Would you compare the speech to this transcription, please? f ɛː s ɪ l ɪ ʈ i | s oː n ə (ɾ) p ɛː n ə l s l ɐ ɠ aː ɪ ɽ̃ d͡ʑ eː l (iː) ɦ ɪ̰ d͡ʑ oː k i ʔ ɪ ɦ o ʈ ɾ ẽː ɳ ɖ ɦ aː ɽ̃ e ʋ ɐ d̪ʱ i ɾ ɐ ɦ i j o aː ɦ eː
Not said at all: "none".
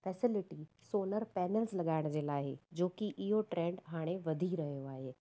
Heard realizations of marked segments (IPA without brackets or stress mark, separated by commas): ɾ, aː